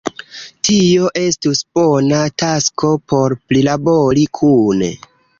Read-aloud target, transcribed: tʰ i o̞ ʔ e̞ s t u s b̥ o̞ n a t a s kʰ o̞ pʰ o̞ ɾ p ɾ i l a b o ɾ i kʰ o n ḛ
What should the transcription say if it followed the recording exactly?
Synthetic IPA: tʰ i o̞ ʔ e̞ s t u s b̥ o̞ n a t a s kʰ o̞ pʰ o̞ ɾ p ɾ i l a b o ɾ i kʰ u n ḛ